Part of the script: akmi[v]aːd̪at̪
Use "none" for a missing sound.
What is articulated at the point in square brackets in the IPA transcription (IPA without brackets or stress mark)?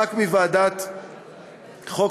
v